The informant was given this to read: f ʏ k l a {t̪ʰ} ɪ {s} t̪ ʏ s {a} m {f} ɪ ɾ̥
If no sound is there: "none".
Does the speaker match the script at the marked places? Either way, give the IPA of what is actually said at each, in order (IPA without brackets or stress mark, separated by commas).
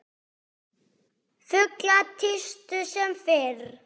t̪ʰ, s, ɛ, f